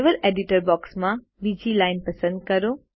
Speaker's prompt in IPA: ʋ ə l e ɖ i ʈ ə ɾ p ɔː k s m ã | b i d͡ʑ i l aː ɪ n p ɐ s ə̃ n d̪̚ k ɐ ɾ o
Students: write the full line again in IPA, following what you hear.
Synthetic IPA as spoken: ʋ ə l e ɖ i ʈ ə ɾ b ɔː k s m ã | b i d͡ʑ i l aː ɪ n p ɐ s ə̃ n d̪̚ k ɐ ɾ o